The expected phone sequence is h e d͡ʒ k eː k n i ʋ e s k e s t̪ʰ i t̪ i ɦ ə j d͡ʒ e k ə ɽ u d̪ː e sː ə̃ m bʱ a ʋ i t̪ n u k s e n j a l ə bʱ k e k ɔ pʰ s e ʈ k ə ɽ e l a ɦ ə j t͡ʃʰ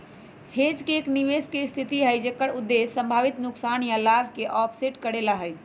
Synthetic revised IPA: h e d͡ʒ k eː k n i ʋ e s k e s t̪ʰ i t̪ i ɦ ə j d͡ʒ e k ə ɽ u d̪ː e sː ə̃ m bʱ a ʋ i t̪ n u k s a n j a l a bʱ k e ʔ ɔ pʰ s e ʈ k ə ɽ e l a ɦ ə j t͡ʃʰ